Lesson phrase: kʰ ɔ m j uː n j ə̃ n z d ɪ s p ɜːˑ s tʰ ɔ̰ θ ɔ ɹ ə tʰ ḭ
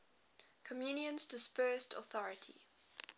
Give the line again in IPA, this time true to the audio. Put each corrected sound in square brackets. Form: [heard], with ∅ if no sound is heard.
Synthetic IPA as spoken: kʰ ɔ m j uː n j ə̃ n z d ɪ s p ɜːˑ s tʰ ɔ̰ θ ɔ ɹ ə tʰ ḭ